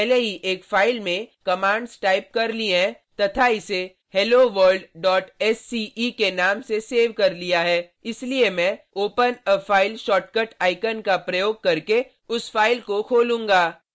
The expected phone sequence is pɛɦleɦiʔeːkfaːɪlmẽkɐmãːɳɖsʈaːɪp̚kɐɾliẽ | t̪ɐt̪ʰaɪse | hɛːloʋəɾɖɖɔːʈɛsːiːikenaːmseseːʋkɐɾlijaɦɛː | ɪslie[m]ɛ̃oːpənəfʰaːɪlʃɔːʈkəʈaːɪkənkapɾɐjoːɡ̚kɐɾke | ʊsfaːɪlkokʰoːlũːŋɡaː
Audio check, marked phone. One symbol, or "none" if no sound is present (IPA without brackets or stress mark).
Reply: m